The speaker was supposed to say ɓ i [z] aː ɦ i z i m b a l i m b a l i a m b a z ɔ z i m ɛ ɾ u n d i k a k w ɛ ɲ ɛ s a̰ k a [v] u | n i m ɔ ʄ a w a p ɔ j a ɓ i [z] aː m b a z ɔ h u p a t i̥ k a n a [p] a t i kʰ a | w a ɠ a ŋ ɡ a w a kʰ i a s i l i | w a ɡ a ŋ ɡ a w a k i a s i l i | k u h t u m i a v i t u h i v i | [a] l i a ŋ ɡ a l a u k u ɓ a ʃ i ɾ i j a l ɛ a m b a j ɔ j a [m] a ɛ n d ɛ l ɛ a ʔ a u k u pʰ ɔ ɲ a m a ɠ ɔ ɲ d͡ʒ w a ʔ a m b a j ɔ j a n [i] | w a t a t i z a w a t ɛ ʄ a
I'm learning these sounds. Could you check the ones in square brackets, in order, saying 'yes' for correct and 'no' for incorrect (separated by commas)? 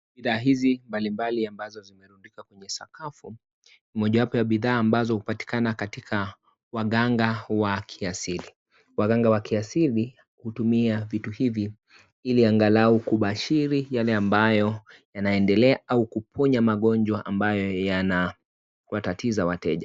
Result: no, no, no, no, no, no, no